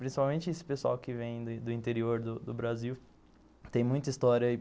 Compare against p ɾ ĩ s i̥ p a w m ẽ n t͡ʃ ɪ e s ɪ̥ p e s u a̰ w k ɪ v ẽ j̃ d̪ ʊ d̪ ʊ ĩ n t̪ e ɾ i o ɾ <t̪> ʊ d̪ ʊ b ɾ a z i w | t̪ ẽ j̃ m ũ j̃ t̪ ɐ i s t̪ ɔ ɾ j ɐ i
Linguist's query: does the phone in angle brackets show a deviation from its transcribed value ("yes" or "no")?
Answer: yes